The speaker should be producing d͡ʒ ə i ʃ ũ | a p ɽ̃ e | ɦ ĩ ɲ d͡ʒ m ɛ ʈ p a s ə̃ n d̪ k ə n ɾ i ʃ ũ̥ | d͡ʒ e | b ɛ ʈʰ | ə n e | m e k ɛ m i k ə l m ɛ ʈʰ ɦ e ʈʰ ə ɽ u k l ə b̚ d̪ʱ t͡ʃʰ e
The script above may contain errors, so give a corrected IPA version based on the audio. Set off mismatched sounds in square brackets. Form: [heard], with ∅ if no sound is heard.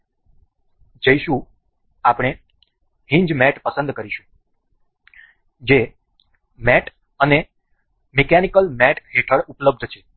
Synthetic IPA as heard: d͡ʒ ə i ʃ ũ | a p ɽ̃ e | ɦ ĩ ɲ d͡ʒ m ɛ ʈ p [ə] s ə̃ n d̪ k ə [∅] ɾ i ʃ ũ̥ | d͡ʒ e | [m] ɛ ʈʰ | ə n e | m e k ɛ [n] i k ə l m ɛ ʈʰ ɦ e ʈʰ ə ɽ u [p] l ə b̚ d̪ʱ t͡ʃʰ e

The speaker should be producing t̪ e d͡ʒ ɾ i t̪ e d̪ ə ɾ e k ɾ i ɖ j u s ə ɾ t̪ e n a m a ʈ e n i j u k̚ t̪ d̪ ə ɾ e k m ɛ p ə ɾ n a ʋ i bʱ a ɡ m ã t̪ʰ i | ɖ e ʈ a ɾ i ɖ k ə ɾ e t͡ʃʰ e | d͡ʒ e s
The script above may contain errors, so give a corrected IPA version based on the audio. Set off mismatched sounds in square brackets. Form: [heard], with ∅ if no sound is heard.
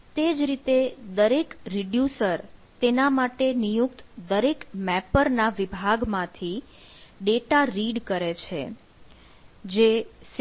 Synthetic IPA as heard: t̪ e d͡ʒ ɾ i t̪ e d̪ ə ɾ e k ɾ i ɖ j u s ə ɾ t̪ e n a m a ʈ e n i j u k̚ t̪ d̪ ə ɾ e k m ɛ p ə ɾ n a ʋ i bʱ a ɡ m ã t̪ʰ i | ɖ e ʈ a ɾ i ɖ k ə ɾ e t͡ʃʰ e | d͡ʒ e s

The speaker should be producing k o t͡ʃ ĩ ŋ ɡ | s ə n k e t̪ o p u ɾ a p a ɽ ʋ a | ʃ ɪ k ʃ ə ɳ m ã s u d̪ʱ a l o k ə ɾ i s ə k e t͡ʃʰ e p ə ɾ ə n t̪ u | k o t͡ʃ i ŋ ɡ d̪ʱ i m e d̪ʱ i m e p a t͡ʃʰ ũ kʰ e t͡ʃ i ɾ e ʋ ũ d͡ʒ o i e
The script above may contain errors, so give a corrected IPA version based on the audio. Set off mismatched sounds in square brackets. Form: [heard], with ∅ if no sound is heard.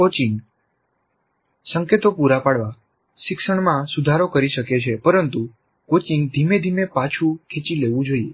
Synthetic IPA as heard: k o t͡ʃ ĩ ŋ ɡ | s ə [ŋ] k e t̪ o p u ɾ a p a ɽ ʋ a | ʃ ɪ k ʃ ə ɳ m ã s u d̪ʱ a [ɾ] o k ə ɾ i [ʃ] ə k e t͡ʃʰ e p ə ɾ ə n t̪ u | k o t͡ʃ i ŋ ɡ d̪ʱ i m e d̪ʱ i m e p a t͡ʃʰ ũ kʰ e t͡ʃ i [l] e ʋ ũ d͡ʒ o i e

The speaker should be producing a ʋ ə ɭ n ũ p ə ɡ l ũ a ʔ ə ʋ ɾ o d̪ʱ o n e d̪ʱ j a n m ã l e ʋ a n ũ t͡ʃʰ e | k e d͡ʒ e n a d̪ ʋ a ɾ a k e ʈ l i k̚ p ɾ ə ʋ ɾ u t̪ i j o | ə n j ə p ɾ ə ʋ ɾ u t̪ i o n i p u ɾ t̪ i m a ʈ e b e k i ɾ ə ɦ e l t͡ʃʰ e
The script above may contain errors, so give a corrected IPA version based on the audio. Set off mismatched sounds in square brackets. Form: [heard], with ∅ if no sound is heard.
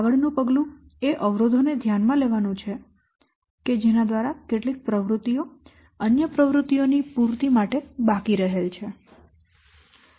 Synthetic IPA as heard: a ʋ ə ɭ n ũ p ə ɡ l ũ [e] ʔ ə ʋ ɾ o d̪ʱ o n e d̪ʱ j a n m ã l e ʋ a n ũ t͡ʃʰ e | k e d͡ʒ e n a d̪ ʋ a ɾ a k e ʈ l i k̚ p ɾ ə ʋ ɾ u t̪ i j o | ə n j ə p ɾ ə ʋ ɾ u t̪ i o n i p u ɾ t̪ i m a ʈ e b [a] k i ɾ ə ɦ e l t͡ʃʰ e

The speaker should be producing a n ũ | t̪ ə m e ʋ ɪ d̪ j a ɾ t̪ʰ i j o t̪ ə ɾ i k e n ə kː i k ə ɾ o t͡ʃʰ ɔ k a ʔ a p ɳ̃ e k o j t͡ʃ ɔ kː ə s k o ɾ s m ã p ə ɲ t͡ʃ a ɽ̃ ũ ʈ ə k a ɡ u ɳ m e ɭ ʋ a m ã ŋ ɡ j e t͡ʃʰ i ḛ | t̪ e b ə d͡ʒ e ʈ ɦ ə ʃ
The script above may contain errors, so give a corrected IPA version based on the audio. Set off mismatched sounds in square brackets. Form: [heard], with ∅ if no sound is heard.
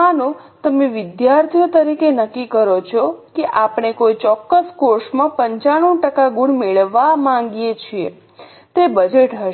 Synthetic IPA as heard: a n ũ | t̪ ə m e ʋ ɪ d̪ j a ɾ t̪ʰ i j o t̪ ə ɾ i k e n ə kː i k ə ɾ o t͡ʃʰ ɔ k [e] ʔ a p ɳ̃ e k o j t͡ʃ ɔ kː ə s k o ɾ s m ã p ə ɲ t͡ʃ a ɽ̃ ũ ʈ ə k a ɡ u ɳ m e ɭ ʋ a m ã ŋ ɡ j e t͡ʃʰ i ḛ | t̪ e b ə d͡ʒ e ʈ ɦ ə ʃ

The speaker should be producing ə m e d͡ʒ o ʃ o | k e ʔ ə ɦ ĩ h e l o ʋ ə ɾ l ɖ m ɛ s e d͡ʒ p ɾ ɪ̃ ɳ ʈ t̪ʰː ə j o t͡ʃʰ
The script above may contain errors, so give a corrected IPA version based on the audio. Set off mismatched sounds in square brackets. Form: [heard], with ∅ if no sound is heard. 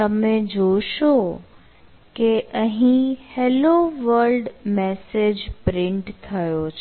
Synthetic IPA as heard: ə m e d͡ʒ o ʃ o | k e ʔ ə ɦ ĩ h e l o ʋ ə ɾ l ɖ m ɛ s e d͡ʒ p ɾ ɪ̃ ɳ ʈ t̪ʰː ə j o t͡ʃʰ

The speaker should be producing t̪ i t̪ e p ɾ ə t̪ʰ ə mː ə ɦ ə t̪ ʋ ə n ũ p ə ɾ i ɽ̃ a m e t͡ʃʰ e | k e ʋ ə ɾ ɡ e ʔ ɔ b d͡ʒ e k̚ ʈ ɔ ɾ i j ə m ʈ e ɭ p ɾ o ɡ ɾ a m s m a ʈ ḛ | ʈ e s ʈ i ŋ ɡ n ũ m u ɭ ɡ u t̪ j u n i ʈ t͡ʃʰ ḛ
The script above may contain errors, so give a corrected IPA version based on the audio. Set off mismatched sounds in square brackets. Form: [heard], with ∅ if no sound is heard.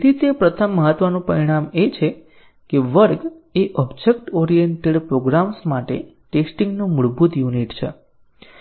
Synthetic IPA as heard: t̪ i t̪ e p ɾ ə t̪ʰ ə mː ə ɦ ə t̪ ʋ ə n ũ p ə ɾ i ɽ̃ a m e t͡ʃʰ e | k e ʋ ə ɾ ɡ e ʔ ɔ b d͡ʒ e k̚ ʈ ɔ ɾ i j ə [ɳ] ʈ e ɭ p ɾ o ɡ ɾ a m s m a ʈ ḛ | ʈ e s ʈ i ŋ ɡ n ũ m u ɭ [b] u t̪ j u n i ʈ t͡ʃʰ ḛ

